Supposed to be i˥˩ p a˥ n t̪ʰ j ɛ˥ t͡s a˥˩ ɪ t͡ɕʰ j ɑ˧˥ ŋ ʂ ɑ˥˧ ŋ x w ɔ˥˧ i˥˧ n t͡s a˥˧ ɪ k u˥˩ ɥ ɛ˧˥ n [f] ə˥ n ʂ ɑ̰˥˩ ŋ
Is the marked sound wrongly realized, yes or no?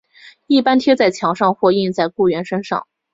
yes